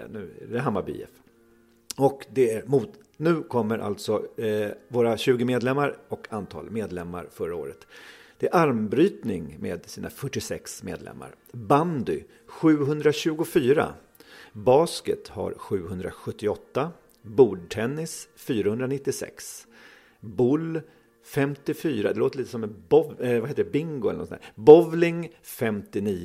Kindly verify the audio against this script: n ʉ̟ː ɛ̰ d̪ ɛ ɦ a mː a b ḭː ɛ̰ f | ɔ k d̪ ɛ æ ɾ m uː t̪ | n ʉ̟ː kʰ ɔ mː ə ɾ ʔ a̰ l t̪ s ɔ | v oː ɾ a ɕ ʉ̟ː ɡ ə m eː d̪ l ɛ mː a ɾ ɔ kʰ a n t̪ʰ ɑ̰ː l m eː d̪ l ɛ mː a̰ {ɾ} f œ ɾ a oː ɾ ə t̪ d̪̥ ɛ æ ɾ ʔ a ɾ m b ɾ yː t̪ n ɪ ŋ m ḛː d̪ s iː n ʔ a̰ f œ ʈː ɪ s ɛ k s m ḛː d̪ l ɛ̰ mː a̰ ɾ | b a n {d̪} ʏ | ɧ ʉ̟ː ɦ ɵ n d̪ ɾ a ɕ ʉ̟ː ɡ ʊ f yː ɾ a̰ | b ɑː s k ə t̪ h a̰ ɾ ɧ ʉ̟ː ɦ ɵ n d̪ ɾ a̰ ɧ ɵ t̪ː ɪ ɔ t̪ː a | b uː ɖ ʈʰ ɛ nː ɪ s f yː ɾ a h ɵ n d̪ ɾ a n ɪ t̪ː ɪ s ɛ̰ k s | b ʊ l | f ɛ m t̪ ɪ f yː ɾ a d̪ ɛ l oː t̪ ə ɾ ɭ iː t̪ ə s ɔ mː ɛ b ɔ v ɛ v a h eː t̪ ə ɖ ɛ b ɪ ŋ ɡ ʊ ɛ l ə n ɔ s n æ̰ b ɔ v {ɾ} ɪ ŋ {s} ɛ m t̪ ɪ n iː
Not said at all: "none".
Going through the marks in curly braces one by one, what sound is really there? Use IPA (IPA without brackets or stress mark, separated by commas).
ɾ, d̪, l, f